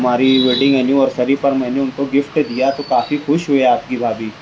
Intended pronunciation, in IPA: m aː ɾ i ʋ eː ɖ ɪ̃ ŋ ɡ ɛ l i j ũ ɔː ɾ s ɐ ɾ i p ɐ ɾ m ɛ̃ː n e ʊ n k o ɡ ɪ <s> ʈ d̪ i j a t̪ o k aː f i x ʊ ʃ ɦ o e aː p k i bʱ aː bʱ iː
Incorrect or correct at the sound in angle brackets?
incorrect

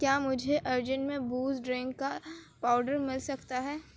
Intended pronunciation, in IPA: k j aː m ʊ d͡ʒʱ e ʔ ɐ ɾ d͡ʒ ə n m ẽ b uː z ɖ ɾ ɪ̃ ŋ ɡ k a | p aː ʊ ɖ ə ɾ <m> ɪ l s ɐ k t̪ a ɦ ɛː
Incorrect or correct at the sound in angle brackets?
correct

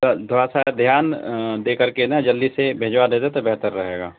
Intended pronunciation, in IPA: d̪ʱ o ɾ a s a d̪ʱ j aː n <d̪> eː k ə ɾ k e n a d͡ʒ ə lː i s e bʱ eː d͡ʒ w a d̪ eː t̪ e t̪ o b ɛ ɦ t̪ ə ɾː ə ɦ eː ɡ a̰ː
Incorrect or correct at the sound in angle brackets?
correct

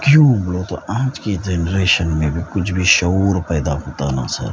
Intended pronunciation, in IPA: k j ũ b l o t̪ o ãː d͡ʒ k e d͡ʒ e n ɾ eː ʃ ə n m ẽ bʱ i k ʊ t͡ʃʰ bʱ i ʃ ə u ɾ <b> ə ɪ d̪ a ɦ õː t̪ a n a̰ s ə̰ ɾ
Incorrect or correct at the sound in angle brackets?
incorrect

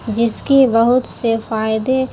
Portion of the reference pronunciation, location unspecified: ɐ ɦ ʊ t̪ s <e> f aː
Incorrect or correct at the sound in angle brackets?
correct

